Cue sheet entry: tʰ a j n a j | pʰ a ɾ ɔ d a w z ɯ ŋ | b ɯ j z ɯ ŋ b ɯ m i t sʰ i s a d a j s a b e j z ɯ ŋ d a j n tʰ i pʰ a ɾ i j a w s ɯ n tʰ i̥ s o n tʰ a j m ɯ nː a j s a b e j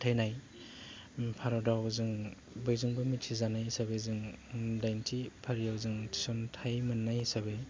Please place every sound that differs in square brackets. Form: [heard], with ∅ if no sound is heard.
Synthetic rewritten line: tʰ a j n a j | pʰ a ɾ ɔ d a w z ɯ ŋ | b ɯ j z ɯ ŋ b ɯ m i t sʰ i [z] a [n] a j s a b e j z ɯ ŋ d a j n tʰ i pʰ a ɾ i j a w [z] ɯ [ŋ] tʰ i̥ s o n tʰ a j m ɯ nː a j s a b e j